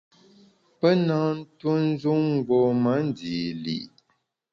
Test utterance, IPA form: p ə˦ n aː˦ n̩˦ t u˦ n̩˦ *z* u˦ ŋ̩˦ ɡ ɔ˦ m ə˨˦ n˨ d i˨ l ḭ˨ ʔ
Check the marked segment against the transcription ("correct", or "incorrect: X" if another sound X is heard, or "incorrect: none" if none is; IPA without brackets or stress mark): correct